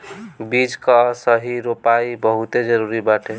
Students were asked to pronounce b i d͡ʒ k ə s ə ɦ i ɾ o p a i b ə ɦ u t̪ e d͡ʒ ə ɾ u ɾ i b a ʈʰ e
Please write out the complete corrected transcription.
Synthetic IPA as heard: b i d͡ʒ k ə s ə ɦ i ɾ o p a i b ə ɦ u t̪ e d͡ʒ ə ɾ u ɾ i b a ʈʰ e